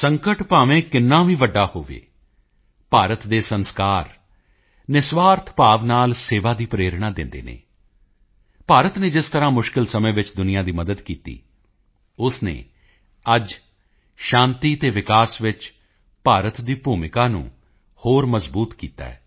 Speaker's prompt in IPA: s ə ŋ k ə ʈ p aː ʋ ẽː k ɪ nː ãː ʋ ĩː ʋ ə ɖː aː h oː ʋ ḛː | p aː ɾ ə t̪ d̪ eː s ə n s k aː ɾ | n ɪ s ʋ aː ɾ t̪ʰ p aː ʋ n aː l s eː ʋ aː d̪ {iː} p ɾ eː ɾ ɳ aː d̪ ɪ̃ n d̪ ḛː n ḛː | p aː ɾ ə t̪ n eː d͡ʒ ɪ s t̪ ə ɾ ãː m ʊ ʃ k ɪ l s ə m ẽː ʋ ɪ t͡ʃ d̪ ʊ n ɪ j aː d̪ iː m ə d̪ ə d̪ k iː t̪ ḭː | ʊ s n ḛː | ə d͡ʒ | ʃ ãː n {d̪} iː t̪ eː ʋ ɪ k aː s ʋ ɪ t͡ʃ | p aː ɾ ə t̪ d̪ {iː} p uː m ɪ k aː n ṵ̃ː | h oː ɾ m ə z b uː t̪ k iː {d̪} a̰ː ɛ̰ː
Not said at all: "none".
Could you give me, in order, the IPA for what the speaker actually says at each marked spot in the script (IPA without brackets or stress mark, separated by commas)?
iː, t̪, iː, t̪